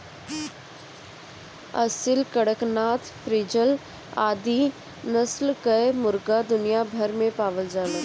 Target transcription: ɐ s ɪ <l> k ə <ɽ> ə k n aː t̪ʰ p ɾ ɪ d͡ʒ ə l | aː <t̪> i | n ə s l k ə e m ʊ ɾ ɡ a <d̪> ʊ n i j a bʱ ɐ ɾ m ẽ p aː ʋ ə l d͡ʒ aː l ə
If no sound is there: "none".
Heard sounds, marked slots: l, ɽ, d̪, d̪

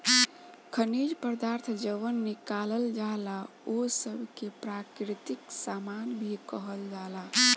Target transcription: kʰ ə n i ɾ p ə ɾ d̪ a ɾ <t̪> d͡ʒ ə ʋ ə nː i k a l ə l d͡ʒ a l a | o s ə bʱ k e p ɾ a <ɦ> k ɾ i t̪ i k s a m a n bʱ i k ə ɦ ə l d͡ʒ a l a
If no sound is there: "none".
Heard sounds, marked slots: t̪ʰ, none

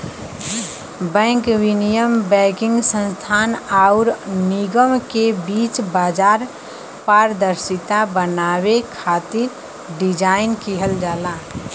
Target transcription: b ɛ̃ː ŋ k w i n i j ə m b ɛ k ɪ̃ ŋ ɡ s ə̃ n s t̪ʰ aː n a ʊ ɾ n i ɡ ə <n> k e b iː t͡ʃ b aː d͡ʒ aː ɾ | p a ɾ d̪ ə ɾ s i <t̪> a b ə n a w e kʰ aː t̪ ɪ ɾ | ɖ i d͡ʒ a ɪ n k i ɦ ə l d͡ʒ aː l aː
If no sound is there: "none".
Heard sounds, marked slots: m, t̪

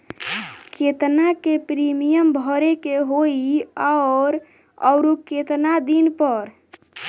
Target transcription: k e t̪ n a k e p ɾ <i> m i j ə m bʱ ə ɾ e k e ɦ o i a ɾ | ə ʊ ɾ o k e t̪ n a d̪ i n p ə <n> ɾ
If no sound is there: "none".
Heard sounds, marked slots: i, none

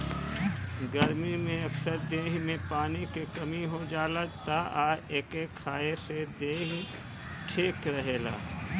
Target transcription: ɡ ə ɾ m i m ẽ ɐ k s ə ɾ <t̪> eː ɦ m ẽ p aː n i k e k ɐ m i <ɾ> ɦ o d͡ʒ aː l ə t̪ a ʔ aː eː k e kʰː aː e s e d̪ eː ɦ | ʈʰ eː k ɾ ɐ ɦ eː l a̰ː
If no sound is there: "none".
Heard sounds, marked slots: d̪, none

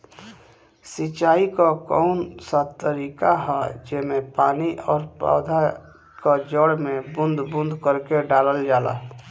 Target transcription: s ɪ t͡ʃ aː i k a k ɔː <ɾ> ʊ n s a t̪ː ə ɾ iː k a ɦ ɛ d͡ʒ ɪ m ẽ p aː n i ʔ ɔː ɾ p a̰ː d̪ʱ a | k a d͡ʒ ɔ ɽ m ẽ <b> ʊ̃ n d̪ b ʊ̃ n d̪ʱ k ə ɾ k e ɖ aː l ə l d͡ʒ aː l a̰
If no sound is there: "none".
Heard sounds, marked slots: none, b

